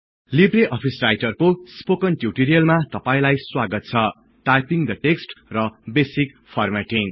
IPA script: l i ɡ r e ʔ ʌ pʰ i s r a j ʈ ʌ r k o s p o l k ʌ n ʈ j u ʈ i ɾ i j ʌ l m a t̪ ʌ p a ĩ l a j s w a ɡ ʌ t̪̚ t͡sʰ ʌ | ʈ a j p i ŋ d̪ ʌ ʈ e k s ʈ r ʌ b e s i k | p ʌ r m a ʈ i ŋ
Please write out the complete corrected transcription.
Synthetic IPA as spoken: l i b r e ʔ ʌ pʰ i s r a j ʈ ʌ r k o s p o k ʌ n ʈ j u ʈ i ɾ i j ʌ l m a t̪ ʌ p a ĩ l a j s w a ɡ ʌ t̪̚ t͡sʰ ʌ | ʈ a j p i ŋ d̪ ʌ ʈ e k s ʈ r ʌ b e s i k | pʰ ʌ r m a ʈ i ŋ